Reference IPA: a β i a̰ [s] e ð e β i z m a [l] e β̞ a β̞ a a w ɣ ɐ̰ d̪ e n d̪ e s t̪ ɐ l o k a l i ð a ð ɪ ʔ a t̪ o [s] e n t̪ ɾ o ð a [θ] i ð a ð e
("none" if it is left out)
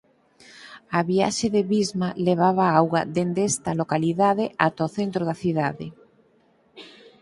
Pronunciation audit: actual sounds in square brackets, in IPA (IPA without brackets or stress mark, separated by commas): ʃ, l, θ, θ